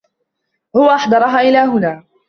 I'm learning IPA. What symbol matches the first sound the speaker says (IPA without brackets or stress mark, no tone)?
h